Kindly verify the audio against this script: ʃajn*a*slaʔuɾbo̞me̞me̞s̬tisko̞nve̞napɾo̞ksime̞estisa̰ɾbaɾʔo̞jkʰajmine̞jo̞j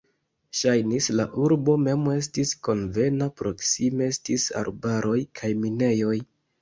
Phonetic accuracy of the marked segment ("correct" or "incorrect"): incorrect